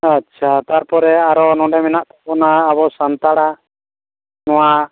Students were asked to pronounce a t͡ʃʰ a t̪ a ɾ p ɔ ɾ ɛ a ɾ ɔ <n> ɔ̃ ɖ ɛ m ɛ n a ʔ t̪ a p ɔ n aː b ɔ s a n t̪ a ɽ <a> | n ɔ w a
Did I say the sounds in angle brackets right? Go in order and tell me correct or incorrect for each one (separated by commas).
correct, correct